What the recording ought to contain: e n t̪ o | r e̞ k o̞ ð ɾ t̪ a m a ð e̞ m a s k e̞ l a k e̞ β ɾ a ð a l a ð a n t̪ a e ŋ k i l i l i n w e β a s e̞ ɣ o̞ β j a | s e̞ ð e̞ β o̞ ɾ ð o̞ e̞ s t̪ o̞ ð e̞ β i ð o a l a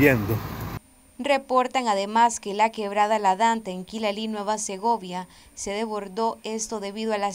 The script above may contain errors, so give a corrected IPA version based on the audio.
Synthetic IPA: e n d̪ o | r e̞ p o̞ ɾ t̪ a ŋ a ð e̞ m a s k e̞ l a k e̞ β ɾ a ð a l a ð a n t̪ a e ŋ k i l a l i n w e β a s e̞ ɣ o̞ β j a | s e̞ ð e̞ β o̞ ɾ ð o̞ e̞ s t̪ o̞ ð e̞ β i ð o a l a

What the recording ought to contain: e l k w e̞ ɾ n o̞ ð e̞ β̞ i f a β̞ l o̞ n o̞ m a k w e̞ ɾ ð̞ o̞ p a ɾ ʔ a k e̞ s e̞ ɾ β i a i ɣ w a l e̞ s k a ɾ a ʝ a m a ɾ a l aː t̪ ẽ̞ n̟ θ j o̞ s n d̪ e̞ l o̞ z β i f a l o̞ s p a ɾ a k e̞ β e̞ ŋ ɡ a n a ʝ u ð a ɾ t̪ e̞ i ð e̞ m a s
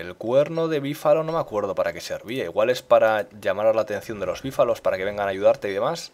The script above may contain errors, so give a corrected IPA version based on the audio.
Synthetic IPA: e l k w e̞ ɾ n o̞ ð e̞ β̞ i f a l o̞ n o̞ m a k w e̞ ɾ ð̞ o̞ p a ɾ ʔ a k e̞ s e̞ ɾ β i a i ɣ w a l e̞ s p a ɾ a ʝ a m a ɾ a l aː t̪ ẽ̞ n̟ θ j o̞ n d̪ e̞ l o̞ z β i f a l o̞ s p a ɾ a k e̞ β e̞ ŋ ɡ a n a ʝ u ð a ɾ t̪ e̞ i ð e̞ m a s

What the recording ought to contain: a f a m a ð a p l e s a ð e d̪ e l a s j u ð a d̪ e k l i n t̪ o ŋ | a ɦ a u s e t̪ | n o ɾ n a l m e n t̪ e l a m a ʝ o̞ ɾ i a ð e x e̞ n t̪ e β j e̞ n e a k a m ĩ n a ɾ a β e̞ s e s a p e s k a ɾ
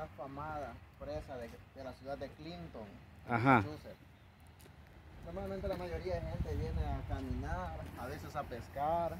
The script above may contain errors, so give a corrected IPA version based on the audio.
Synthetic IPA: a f a m a ð a p ɾ e s a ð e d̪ e l a s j u ð a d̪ e k l i n t̪ o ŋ | a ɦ a u s e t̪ | n o ɾ m a l m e n t̪ e l a m a ʝ o̞ ɾ i a ð e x e̞ n t̪ e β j e̞ n e a k a m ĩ n a ɾ a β e̞ s e s a p e s k a ɾ

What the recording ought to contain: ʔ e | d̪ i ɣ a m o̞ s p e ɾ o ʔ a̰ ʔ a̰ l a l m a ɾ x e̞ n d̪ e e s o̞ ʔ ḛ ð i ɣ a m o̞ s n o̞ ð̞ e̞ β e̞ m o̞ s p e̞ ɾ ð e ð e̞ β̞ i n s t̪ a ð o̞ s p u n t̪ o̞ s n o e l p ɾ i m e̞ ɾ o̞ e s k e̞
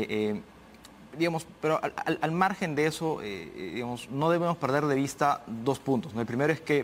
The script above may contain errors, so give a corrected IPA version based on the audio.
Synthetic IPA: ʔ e | d̪ i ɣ a m o̞ s p e ɾ o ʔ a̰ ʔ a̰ l a l m a ɾ x e̞ n d̪ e e s o̞ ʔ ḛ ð i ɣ a m o̞ s n o̞ ð̞ e̞ β e̞ m o̞ s p e̞ ɾ ð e ð e̞ β̞ i s t̪ a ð o̞ s p u n t̪ o̞ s n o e l p ɾ i m e̞ ɾ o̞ e s k e̞

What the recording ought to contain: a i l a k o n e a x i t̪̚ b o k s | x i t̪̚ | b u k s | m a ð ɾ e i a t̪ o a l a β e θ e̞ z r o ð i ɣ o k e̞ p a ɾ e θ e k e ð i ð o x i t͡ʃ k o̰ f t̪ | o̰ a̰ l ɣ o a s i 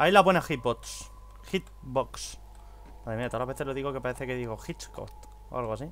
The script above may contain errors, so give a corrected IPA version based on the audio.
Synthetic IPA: a i l a p o n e a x i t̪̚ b o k s | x i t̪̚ | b o k s | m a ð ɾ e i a t̪ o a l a β e θ e̞ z l o ð i ɣ o k e̞ p a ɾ e θ e k e ð i ɣ o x i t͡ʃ k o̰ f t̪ | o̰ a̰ l ɣ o a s i

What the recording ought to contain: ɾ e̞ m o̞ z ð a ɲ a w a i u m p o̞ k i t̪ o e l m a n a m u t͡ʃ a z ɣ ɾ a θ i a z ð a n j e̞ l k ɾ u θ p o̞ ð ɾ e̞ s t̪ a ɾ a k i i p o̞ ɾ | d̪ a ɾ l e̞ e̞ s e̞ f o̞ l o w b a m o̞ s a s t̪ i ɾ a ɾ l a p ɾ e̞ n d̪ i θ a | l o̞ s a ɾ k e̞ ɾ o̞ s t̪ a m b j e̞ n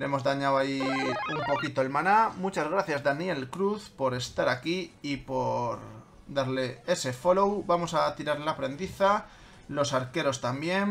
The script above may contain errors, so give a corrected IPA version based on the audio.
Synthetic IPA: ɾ e̞ m o̞ z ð a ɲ a w a i u m p o̞ k i t̪ o e l m a n a m u t͡ʃ a z ɣ ɾ a θ j a z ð a n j e̞ l k ɾ u θ p o̞ ɾ e̞ s t̪ a ɾ a k i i p o̞ ɾ | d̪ a ɾ l e̞ e̞ s e̞ f o̞ l o w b a m o̞ s a t̪ i ɾ a ɾ l a p ɾ e̞ n d̪ i θ a | l o̞ s a ɾ k e̞ ɾ o̞ s t̪ a m b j e̞ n

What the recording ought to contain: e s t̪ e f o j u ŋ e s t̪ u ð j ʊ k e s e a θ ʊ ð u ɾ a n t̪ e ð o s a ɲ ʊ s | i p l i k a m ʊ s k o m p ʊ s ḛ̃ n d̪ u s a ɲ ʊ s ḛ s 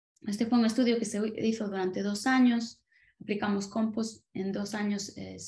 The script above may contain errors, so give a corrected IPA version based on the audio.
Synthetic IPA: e s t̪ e f o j u ŋ e s t̪ u ð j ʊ k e s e i θ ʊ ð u ɾ a n t̪ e ð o s a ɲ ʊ s | a p l i k a m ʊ s k o m p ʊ s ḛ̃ n d̪ o s a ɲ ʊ s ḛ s

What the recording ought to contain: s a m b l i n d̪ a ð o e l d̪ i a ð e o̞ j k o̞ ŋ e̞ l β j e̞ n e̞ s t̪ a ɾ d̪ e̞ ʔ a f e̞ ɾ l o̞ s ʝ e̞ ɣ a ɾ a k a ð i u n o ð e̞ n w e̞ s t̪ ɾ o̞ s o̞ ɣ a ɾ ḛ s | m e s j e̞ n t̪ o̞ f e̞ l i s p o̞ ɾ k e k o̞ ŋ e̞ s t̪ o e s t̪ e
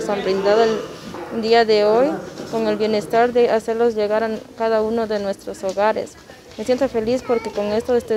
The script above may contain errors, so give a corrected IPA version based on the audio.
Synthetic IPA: s a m b ɾ i n d̪ a ð o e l d̪ i a ð e o̞ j k o̞ ŋ e̞ l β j e̞ n e̞ s t̪ a ɾ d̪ e̞ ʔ a s e̞ ɾ l o̞ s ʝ e̞ ɣ a ɾ a k a ð a u n o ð e̞ n w e̞ s t̪ ɾ o̞ s o̞ ɣ a ɾ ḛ s | m e s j e̞ n t̪ o̞ f e̞ l i s p o̞ ɾ k e k o̞ ŋ e̞ s t̪ o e s t̪ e

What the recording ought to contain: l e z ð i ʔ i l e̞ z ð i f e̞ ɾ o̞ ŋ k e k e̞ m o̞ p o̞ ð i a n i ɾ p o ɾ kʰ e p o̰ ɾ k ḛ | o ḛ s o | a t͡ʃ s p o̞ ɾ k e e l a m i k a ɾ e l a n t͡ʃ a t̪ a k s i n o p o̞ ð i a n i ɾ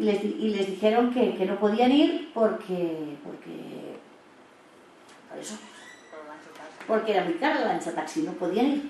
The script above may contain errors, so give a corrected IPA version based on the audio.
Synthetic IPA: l e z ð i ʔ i l e̞ z ð i x e̞ ɾ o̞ ŋ k e k e̞ n o̞ p o̞ ð i a n i ɾ p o ɾ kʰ e p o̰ ɾ k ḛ | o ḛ s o | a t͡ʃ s p o̞ ɾ k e e ɾ a m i k a ɾ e l a n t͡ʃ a t̪ a k s i n o p o̞ ð i a n i ɾ

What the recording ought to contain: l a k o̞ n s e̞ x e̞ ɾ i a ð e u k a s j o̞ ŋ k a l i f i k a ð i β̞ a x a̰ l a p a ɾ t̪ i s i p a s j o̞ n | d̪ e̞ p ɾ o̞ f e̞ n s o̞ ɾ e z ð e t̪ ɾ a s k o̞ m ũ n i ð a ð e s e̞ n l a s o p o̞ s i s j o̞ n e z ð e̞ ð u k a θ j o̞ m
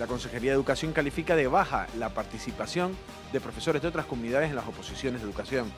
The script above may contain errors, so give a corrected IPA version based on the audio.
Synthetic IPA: l a k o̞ n s e̞ x e̞ ɾ i a ð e u k a s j o̞ ŋ k a l i f i k a ð e β̞ a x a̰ l a p a ɾ t̪ i s i p a s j o̞ n | d̪ e̞ p ɾ o̞ f e̞ s o̞ ɾ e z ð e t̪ ɾ a s k o̞ m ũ n i ð a ð e s e̞ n l a s o p o̞ s i s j o̞ n e z ð e̞ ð u k a s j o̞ ŋ

